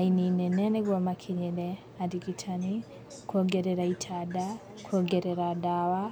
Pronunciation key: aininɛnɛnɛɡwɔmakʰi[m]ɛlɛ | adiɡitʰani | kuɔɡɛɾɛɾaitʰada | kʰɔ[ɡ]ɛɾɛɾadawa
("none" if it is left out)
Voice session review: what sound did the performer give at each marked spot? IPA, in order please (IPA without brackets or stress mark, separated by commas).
ɲ, ɡ